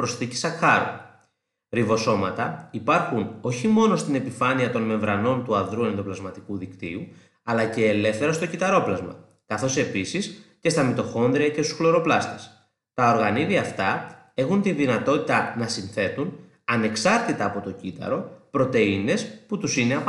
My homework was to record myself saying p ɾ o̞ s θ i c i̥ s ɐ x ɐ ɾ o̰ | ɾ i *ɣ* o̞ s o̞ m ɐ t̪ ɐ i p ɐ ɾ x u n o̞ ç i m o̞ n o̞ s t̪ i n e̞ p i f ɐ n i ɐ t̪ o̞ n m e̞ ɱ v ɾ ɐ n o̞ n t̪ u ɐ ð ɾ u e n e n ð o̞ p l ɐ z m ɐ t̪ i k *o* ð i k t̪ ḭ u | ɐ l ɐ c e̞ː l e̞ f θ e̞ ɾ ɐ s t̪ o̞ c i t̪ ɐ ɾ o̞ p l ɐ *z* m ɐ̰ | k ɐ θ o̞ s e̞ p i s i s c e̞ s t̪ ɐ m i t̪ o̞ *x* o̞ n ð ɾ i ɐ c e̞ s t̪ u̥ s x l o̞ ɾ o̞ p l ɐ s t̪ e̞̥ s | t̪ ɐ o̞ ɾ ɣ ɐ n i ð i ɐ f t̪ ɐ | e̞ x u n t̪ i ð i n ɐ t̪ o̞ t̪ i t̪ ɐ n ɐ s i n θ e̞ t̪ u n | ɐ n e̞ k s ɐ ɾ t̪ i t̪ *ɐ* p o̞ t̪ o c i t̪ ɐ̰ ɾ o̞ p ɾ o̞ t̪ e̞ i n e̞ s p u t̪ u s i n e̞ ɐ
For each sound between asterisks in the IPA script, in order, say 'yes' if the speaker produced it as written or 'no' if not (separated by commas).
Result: no, no, yes, yes, no